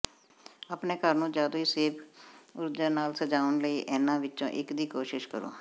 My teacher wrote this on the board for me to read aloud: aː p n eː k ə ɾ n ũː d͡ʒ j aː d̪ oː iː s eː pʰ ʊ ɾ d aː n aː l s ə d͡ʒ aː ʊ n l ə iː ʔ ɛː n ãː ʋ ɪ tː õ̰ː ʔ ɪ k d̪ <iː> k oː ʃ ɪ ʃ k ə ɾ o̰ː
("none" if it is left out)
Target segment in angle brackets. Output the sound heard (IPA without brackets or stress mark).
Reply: iː